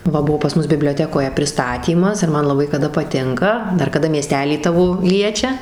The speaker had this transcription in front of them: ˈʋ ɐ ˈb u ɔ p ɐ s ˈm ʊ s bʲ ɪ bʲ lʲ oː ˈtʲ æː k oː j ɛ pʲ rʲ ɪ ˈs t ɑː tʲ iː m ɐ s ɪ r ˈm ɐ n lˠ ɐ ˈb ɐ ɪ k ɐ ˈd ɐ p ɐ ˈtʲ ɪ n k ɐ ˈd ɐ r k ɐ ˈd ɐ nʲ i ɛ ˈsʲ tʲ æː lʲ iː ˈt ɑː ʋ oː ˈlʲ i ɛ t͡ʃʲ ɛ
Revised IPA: ˈʋ ɐ ˈb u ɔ p ɐ s ˈm ʊ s bʲ ɪ bʲ lʲ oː ˈtʲ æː k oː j ɛ pʲ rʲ ɪ ˈs t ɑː tʲ iː m ɐ s ɪ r ˈm ɐ n lˠ ɐ ˈb ɐ ɪ k ɐ ˈd ɐ p ɐ ˈtʲ ɪ ŋ k ɐ ˈd ɐ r k ɐ ˈd ɐ mʲ i ɛ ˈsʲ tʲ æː lʲ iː ˈt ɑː ʋ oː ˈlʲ i ɛ t͡ʃʲ ɛ

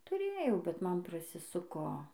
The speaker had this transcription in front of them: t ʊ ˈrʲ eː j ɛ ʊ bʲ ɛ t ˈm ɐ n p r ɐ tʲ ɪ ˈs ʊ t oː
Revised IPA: t ʊ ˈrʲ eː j ɛ ʊ bʲ ɛ t ˈm ɐ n p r ɐ sʲ ɪ ˈs ʊ k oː

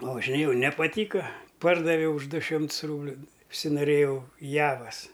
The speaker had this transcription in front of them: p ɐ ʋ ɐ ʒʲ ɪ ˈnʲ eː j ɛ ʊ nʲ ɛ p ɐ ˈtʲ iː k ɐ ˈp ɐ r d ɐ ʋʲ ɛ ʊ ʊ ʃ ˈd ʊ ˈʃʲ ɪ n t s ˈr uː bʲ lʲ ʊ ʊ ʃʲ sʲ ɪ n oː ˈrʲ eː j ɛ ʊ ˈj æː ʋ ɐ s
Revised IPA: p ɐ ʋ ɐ ʒʲ ɪ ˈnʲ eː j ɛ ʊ nʲ ɛ p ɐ ˈtʲ iː k ɐ ˈp ɐ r d ɐ ʋʲ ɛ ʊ ʊ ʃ ˈd ʊ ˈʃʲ ɪ m t s ˈr uː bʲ lʲ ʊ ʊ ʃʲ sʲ ɪ n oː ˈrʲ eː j ɛ ʊ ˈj æː ʋ ɐ s

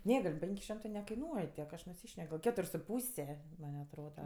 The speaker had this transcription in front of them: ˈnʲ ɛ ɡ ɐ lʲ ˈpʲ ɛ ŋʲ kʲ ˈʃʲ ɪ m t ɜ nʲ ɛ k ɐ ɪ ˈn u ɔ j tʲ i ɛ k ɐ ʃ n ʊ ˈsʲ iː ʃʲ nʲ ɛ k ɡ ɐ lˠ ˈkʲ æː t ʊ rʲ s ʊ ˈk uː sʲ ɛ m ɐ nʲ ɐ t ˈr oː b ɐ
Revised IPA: ˈnʲ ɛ ɡ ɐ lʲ ˈpʲ ɛ ŋʲ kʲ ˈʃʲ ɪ m t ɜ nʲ ɛ k ɐ ɪ ˈn u ɔ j tʲ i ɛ k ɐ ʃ n ʊ ˈsʲ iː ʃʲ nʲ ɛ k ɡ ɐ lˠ ˈkʲ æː t ʊ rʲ s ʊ ˈp uː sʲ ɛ m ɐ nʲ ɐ t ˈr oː d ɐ

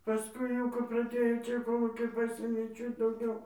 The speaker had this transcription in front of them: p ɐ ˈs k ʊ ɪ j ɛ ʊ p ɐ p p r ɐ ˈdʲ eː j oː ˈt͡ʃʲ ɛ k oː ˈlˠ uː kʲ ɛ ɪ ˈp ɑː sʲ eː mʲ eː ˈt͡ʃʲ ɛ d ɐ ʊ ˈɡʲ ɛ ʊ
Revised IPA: p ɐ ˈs k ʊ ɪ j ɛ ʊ k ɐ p p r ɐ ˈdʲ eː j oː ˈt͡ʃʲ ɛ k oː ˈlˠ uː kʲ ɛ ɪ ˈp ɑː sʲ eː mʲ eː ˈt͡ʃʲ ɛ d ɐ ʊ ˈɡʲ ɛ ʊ

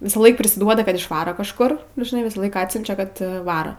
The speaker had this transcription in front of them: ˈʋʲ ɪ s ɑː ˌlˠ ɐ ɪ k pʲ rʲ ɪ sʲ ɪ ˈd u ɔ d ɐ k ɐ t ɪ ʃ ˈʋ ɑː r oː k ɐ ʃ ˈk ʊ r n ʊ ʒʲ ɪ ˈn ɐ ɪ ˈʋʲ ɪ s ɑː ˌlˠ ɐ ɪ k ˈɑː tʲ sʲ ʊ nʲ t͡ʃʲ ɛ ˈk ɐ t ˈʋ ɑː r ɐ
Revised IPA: ˈʋʲ ɪ s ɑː ˌlˠ ɐ ɪ k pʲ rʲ ɪ sʲ ɪ ˈd u ɔ d ɐ k ɐ t ɪ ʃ ˈʋ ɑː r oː k ɐ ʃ ˈk ʊ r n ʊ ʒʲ ɪ ˈn ɐ ɪ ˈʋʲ ɪ s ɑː ˌlˠ ɐ ɪ k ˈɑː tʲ sʲ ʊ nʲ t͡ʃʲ ɛ ˈk ɐ t ˈʋ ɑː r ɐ

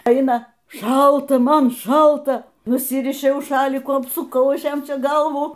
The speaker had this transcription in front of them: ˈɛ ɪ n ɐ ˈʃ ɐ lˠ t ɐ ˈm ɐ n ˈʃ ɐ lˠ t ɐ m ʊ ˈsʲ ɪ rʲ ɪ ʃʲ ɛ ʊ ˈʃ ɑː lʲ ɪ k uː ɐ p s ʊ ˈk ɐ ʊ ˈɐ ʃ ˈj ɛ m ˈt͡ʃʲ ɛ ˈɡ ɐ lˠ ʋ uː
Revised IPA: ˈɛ ɪ n ɐ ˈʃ ɐ lˠ t ɐ ˈm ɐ n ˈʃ ɐ lˠ t ɐ n ʊ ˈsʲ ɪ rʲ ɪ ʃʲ ɛ ʊ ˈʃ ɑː lʲ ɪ k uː ɐ p s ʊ ˈk ɐ ʊ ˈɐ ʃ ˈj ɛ m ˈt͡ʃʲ ɛ ˈɡ ɐ lˠ ʋ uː

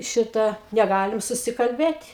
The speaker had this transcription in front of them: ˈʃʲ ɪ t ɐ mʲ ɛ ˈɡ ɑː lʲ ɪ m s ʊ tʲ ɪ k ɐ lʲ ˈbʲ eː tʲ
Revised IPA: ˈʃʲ ɪ t ɐ nʲ ɛ ˈɡ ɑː lʲ ɪ m s ʊ sʲ ɪ k ɐ lʲ ˈbʲ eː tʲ

